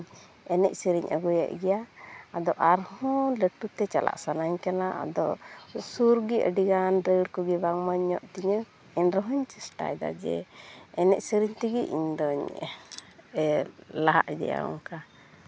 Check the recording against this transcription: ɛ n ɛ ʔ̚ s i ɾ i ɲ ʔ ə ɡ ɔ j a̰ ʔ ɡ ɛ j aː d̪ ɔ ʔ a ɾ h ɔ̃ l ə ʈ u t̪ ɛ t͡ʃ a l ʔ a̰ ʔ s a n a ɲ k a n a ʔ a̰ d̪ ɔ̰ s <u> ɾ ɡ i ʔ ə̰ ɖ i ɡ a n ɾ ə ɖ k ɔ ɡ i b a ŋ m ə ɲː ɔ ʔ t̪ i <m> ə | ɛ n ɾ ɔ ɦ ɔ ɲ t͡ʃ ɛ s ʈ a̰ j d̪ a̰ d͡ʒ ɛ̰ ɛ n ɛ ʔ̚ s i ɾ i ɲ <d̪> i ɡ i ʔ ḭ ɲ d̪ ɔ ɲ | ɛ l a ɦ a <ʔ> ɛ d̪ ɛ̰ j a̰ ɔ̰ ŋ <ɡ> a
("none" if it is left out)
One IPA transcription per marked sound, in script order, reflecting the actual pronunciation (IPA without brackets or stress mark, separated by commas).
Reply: u, ɲ, t̪, ʔ, k